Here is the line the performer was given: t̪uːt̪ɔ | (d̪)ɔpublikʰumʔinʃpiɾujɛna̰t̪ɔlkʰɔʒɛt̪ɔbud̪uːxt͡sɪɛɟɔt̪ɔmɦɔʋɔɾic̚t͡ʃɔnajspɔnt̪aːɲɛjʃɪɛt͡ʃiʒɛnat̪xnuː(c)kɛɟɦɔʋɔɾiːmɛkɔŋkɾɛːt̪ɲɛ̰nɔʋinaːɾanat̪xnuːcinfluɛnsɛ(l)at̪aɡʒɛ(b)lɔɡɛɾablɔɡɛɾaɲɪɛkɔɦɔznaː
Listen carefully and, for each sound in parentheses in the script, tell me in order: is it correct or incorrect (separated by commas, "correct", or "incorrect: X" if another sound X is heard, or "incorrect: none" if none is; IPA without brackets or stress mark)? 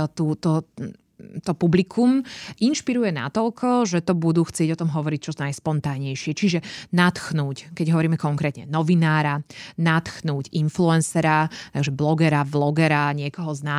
incorrect: t̪, correct, incorrect: ɾ, correct